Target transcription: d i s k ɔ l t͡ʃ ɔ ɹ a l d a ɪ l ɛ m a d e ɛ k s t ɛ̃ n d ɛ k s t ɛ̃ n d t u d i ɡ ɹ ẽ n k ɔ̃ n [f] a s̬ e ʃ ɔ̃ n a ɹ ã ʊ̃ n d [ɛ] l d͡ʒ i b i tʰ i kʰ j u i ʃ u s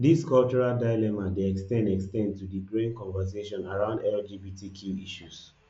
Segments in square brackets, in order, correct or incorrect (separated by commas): incorrect, correct